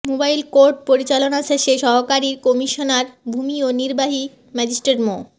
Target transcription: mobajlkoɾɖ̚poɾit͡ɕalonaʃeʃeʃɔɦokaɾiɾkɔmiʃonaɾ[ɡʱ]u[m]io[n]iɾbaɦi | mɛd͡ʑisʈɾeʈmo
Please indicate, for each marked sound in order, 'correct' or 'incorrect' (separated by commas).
incorrect, correct, correct